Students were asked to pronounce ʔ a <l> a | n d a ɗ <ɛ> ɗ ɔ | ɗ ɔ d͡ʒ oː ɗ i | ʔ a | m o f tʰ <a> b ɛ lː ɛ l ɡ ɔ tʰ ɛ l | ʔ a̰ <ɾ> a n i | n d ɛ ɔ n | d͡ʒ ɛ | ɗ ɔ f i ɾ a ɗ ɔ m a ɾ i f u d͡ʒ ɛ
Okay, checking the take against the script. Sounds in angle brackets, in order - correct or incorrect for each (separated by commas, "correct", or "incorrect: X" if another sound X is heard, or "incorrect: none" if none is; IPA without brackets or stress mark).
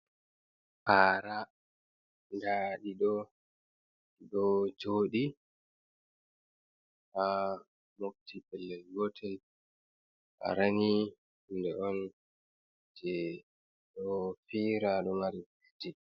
incorrect: ɾ, incorrect: i, incorrect: i, correct